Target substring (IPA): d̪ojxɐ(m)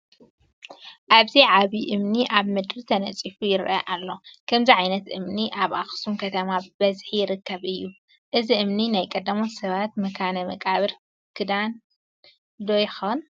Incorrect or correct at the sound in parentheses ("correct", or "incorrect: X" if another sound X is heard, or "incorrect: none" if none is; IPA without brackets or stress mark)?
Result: incorrect: n